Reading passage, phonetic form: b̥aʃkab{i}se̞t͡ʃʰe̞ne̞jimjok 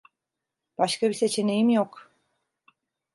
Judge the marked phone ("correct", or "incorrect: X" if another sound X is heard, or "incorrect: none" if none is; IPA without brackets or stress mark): correct